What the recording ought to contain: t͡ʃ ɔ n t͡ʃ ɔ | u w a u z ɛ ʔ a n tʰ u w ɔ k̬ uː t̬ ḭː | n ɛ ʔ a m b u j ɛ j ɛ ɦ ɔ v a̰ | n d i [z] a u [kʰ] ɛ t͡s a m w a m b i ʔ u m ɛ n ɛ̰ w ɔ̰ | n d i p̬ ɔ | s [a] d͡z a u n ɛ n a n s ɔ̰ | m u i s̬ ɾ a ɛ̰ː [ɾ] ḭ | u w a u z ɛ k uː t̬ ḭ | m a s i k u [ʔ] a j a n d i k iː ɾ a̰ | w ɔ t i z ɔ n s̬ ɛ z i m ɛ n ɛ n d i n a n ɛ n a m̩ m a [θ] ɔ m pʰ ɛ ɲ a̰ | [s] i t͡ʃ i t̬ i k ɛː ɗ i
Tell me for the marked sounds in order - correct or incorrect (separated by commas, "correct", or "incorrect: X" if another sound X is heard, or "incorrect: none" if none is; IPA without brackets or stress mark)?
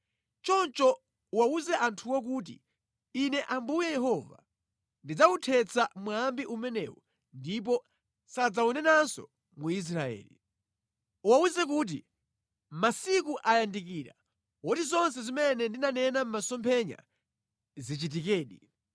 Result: incorrect: d͡z, incorrect: tʰ, correct, incorrect: l, correct, incorrect: s, incorrect: z